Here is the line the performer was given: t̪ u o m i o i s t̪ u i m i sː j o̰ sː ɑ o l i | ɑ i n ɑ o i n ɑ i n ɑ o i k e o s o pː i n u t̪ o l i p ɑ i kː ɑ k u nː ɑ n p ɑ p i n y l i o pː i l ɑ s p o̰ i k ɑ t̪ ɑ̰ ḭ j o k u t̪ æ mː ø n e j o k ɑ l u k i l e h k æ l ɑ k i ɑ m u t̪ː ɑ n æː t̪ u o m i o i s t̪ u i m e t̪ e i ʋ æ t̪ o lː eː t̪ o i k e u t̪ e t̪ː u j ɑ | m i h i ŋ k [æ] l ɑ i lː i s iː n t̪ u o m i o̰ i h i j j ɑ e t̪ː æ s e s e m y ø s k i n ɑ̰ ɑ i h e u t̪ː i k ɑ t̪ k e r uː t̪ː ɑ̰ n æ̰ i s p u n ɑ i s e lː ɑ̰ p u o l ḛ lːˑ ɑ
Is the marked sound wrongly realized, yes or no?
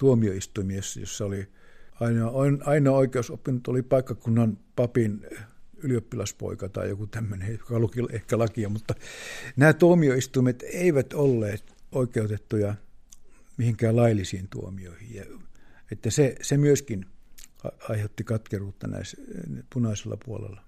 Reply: yes